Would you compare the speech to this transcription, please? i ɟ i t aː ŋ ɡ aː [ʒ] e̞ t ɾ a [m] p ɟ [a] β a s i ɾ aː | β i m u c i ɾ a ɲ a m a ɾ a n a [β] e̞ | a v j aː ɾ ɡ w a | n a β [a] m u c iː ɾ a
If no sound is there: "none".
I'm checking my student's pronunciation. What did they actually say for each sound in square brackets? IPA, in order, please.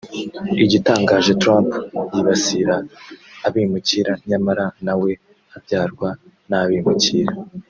ʒ, m, i, w, i

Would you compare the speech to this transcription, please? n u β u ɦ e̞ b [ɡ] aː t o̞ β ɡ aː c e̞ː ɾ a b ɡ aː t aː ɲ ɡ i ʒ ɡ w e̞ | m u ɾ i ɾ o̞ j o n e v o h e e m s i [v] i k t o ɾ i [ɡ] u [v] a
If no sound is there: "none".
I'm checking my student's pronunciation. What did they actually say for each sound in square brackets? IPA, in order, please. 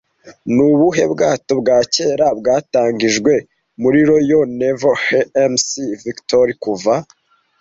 ɡ, v, k, v

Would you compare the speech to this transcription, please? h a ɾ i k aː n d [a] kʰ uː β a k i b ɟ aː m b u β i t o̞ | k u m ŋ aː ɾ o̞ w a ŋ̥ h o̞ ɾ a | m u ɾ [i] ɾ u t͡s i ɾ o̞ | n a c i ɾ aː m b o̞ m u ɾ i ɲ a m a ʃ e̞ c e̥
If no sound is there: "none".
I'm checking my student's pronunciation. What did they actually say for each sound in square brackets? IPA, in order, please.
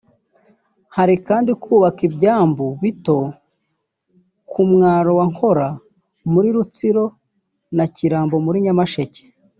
i, i

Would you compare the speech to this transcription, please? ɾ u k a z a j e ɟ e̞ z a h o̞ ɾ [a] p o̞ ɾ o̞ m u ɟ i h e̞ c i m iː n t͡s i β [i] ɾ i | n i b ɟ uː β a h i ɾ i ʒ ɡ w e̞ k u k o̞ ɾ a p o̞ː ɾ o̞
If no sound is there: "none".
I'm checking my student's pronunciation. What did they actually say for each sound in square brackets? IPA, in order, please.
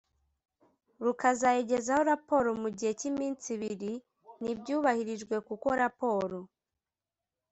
a, i

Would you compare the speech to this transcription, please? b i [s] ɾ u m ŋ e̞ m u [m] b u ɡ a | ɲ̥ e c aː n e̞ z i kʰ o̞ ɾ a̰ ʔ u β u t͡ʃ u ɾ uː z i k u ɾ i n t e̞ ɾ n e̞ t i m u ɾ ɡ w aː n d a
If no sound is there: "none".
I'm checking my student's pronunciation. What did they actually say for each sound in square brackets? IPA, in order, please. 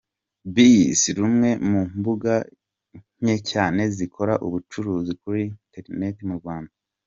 s, m

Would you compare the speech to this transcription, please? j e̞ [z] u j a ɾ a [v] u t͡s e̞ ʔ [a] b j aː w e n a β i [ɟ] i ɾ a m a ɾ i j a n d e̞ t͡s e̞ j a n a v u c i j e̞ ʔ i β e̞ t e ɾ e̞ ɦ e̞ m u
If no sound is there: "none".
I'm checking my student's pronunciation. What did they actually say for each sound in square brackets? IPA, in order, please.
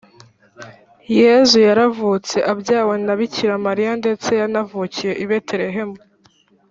z, v, a, c

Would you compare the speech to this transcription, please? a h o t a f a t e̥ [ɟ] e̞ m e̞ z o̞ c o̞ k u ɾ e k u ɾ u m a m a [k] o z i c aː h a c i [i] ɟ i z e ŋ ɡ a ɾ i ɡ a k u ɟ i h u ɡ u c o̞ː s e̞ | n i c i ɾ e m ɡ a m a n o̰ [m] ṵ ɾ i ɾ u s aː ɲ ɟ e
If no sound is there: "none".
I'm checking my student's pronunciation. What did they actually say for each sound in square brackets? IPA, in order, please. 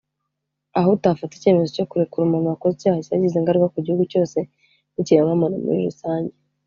c, k, a, m

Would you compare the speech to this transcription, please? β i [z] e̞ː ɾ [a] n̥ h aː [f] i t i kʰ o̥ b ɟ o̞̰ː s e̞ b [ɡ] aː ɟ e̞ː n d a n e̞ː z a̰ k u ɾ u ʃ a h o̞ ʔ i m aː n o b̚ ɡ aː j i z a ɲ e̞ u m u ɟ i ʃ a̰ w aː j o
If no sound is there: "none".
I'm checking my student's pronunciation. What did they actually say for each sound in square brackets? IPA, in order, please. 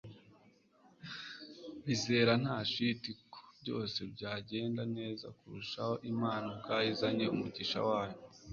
z, a, ʃ, ɟ

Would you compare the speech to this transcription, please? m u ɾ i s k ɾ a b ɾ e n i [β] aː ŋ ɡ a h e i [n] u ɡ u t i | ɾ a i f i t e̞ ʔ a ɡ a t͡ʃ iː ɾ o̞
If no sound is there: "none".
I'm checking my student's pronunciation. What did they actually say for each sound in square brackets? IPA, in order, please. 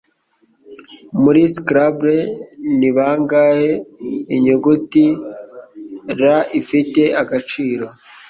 β, ɲ

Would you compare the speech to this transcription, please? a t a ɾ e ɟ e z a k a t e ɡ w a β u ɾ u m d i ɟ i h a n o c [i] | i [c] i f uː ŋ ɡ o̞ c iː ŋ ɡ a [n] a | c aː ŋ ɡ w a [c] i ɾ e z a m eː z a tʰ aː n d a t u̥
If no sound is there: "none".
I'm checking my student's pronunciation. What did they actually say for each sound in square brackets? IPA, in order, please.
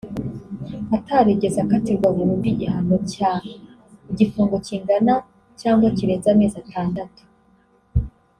a, ɟ, n, c

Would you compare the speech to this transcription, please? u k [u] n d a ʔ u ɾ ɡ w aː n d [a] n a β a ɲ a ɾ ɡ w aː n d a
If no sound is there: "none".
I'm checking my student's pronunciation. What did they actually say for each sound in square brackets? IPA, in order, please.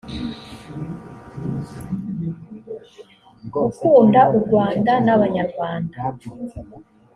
uː, a

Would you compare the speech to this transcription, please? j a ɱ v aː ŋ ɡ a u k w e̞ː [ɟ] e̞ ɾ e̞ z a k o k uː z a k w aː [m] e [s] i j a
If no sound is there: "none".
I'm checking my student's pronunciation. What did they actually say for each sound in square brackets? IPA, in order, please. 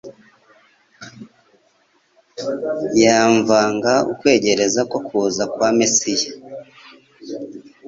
ɟ, m, s

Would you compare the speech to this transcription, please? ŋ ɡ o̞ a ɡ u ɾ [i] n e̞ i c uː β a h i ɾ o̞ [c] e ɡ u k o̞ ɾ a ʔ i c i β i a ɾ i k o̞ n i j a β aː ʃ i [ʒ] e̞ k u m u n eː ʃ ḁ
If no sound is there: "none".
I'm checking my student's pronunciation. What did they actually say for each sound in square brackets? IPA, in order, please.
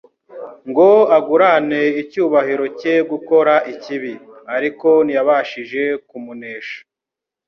a, c, ʒ

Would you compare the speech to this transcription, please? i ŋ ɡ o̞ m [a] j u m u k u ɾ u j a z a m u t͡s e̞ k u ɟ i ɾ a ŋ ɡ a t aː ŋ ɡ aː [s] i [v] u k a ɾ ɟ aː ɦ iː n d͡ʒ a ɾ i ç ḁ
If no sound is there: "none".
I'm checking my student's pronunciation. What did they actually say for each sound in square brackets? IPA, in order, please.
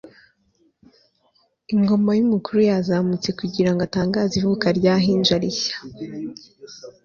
a, z, v

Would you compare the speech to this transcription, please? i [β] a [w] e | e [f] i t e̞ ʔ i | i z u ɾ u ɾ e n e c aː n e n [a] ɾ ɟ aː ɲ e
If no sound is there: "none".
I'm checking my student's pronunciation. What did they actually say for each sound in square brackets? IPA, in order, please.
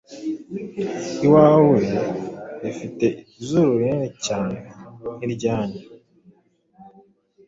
w, w, f, i

